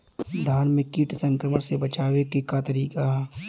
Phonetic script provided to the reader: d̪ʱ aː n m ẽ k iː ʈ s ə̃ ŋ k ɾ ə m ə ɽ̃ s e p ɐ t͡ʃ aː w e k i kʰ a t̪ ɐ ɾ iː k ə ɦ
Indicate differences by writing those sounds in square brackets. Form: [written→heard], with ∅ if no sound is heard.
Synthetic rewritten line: d̪ʱ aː n m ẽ k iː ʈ s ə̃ ŋ k ɾ ə m ə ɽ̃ s e [p→b] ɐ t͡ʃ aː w e k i [kʰ→k] a t̪ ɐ ɾ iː k [ə→a] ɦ